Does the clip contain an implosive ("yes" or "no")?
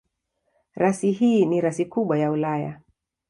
yes